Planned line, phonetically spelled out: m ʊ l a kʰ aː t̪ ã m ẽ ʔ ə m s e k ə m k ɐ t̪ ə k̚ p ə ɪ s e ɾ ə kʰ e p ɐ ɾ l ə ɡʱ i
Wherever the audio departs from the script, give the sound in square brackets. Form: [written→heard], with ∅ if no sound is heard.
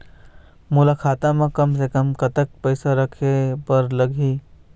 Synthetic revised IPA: m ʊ l a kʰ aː t̪ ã m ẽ [ʔ→k] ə m s e k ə m k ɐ t̪ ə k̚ p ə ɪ s [e→a] ɾ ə kʰ e p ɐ ɾ l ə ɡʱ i